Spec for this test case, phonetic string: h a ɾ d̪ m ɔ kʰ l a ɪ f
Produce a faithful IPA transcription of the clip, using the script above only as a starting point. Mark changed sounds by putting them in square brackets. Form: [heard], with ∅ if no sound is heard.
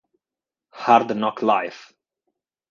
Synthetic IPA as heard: h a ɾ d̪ [n] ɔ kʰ l a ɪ f

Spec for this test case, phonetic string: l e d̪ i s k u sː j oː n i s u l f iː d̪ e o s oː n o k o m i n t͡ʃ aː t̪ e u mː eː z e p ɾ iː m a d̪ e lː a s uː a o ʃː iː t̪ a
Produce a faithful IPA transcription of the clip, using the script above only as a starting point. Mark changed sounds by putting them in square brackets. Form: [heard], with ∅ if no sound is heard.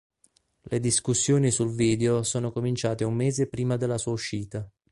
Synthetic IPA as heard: l e d̪ i s k u sː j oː n i s u l [v] iː d̪ e o s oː n o k o m i n t͡ʃ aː t̪ e u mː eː z e p ɾ iː m a d̪ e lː a s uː a [u] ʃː iː t̪ a

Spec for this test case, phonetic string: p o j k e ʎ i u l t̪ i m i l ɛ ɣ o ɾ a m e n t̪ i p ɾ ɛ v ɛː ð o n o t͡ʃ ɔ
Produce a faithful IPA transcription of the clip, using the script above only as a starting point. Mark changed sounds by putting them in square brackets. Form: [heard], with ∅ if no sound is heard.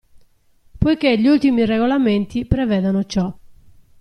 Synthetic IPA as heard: p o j k e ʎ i u l t̪ i m i [r] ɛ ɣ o [l] a m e n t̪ i p ɾ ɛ v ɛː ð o n o t͡ʃ ɔ

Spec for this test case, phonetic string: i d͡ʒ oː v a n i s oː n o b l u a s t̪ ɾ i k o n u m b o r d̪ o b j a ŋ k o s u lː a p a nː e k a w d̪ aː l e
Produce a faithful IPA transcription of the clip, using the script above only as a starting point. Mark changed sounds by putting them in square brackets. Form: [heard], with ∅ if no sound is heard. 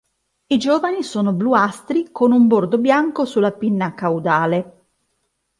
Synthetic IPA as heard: i d͡ʒ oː v a n i s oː n o b l u a s t̪ ɾ i k o n u m b o r d̪ o b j a ŋ k o s u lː a p [i] nː [a] k a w d̪ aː l e

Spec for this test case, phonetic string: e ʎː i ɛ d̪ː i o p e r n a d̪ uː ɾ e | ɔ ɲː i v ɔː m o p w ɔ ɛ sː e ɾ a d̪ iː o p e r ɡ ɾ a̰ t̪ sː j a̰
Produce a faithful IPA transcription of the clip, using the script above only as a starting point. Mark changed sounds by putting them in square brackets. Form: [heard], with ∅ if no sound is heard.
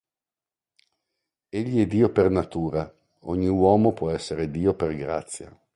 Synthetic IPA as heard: e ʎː i ɛ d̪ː [iː] o p e r n a [t̪] uː ɾ [a] | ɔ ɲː i [w] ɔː m o p w ɔ ɛ sː e ɾ [e] d̪ iː o p e r ɡ ɾ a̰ t̪ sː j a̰

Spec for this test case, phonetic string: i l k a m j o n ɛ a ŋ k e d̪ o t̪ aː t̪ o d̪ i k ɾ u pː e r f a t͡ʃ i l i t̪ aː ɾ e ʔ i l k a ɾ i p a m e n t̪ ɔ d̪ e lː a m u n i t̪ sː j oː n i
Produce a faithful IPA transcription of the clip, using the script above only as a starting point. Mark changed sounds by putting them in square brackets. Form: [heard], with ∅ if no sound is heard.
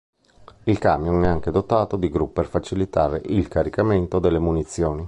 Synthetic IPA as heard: i l k a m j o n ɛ a ŋ k e d̪ o t̪ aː t̪ o d̪ i [ɡ] ɾ u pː e r f a t͡ʃ i l i t̪ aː ɾ e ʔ i l k a ɾ i [k] a m e n t̪ [o] d̪ e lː [e] m u n i t̪ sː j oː n i

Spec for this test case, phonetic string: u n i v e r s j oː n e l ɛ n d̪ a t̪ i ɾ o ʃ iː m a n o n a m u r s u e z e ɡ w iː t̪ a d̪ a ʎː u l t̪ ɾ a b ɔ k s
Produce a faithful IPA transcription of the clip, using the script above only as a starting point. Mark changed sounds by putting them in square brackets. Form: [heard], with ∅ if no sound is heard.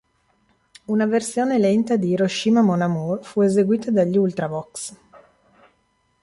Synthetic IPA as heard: u n [a] v e r s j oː n e l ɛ n [t̪] a [d̪] i ɾ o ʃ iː m a [m] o n a m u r [f] u e z e ɡ w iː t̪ a d̪ a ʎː u l t̪ ɾ a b ɔ k s

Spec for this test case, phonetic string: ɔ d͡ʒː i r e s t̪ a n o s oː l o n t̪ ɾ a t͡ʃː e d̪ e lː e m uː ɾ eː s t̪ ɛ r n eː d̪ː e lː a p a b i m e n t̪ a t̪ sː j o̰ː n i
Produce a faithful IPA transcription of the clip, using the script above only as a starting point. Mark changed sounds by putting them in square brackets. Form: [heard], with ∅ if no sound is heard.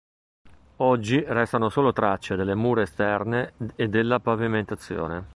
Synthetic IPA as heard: ɔ d͡ʒː i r [ɛ] s t̪ a n o s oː l o [∅] t̪ ɾ a t͡ʃː e d̪ e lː e m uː ɾ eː s t̪ ɛ r n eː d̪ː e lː a p a [v] i m e n t̪ a t̪ sː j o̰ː n [e]

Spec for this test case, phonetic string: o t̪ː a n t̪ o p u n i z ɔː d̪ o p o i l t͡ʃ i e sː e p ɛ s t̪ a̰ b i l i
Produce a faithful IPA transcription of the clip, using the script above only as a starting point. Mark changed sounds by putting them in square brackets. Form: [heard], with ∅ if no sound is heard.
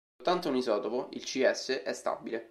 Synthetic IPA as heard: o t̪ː a n t̪ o [∅] u n i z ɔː [t̪] o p o i l t͡ʃ i [ɛ] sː e [ʔ] ɛ s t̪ a̰ b i l [e]

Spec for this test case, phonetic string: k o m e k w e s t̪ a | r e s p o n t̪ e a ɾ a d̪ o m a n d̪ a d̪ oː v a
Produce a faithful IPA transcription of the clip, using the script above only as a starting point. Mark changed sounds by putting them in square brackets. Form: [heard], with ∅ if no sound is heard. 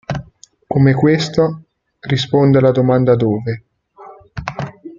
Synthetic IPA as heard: k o m e k w e s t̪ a | r [i] s p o n [d̪] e a [l] a d̪ o m a n d̪ a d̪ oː v [e]

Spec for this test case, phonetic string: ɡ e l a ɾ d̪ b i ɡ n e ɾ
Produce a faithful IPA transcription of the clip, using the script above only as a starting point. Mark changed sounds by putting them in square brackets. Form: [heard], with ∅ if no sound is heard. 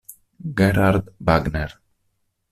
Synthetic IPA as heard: ɡ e [ɾ] a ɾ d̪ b [a] ɡ n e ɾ

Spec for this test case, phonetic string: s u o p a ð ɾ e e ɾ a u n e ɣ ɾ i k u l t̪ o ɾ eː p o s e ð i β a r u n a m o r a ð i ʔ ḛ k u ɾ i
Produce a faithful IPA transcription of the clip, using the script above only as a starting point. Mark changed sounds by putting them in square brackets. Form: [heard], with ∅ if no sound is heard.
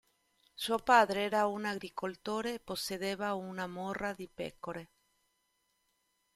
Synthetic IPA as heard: s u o p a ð ɾ e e ɾ a u n [a] ɣ ɾ i k [o] l t̪ o ɾ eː p o s e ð [e] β a [∅] u n a m o r a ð i [p] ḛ k [o] ɾ [e]

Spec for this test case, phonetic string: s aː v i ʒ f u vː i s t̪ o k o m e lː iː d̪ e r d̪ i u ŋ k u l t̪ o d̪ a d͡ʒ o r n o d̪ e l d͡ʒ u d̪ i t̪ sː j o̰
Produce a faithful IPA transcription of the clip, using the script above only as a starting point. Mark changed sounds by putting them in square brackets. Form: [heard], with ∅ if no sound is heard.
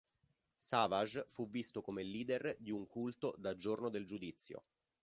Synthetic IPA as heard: s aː v [a] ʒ f u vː i s t̪ o k o m e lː iː d̪ e r d̪ i u ŋ k u l t̪ o d̪ a d͡ʒ o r n o d̪ e l d͡ʒ u d̪ i t̪ sː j o̰

